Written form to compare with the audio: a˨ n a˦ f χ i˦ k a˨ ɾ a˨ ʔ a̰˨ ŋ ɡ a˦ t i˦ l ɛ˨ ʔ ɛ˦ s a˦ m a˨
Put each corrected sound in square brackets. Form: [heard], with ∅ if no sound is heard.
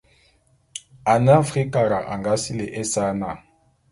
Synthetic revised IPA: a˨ n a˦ f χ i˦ k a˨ ɾ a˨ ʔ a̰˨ ŋ ɡ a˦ [s] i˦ l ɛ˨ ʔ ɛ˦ s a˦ [n] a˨